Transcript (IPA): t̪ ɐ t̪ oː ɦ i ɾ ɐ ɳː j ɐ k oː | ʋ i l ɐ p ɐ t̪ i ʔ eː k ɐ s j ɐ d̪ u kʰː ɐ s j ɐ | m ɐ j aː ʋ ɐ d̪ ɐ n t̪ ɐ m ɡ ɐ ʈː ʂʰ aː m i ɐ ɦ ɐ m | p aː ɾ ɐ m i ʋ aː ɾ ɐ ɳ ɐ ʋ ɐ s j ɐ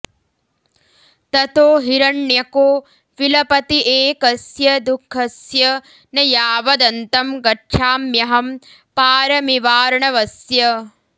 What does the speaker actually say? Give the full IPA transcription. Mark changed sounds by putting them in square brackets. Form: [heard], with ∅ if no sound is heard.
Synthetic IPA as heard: t̪ ɐ t̪ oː ɦ i ɾ ɐ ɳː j ɐ k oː | ʋ i l ɐ p ɐ t̪ i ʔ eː k ɐ s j ɐ d̪ u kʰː ɐ s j ɐ | [n] ɐ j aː ʋ ɐ d̪ ɐ n t̪ ɐ m ɡ ɐ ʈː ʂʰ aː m [j] ɐ ɦ ɐ m | p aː ɾ ɐ m i ʋ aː ɾ ɐ ɳ ɐ ʋ ɐ s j ɐ